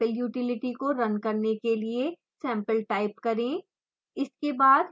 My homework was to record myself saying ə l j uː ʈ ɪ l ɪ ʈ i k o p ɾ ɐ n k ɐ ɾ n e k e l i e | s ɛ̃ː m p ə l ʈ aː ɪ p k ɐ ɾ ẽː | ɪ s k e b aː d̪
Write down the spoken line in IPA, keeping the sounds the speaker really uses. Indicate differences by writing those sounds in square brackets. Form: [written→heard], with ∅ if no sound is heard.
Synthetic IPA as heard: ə l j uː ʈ ɪ l ɪ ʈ i k o [p→∅] ɾ ɐ n k ɐ ɾ n e k e l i e | s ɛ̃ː m p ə l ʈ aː ɪ p k ɐ ɾ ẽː | ɪ s k e b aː d̪